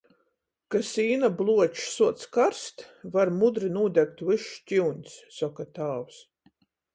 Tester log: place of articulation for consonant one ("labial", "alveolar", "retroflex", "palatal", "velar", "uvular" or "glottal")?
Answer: velar